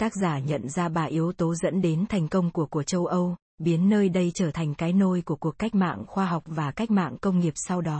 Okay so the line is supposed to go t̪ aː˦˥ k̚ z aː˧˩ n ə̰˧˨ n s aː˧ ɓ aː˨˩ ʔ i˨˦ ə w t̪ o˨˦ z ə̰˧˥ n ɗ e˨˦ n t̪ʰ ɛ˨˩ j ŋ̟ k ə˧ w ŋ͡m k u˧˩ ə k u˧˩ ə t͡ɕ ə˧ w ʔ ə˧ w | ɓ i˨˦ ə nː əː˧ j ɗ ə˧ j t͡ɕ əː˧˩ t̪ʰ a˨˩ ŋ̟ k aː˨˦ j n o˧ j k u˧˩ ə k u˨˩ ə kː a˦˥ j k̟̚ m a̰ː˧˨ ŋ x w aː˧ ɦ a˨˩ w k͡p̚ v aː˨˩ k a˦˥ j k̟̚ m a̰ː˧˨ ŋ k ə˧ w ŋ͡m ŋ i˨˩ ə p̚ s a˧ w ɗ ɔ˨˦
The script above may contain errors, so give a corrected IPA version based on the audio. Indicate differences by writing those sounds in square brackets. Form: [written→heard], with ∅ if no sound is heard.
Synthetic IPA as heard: t̪ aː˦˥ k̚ z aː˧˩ [n→ɲ] ə̰˧˨ n [s→z] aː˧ ɓ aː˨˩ ʔ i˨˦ ə w t̪ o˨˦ z ə̰˧˥ n ɗ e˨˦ n t̪ʰ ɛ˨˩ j ŋ̟ k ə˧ w ŋ͡m k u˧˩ ə k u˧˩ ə t͡ɕ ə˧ w ʔ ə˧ w | ɓ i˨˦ ə nː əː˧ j ɗ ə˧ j t͡ɕ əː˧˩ t̪ʰ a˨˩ ŋ̟ k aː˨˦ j n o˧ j k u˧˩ ə k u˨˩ ə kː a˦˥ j k̟̚ m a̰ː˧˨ ŋ x w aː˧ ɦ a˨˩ w k͡p̚ v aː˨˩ k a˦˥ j k̟̚ m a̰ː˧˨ ŋ k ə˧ w ŋ͡m ŋ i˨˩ ə p̚ s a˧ w ɗ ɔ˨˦